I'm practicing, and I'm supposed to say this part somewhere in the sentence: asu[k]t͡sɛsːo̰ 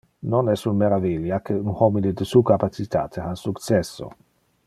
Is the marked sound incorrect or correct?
correct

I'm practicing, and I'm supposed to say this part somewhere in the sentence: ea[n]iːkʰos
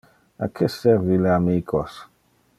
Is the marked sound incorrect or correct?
incorrect: m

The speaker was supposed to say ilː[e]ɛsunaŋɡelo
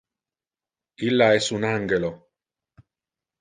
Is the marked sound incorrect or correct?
incorrect: a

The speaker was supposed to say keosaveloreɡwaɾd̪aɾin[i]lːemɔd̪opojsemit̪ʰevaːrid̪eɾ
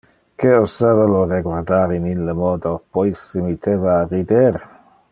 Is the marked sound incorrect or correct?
correct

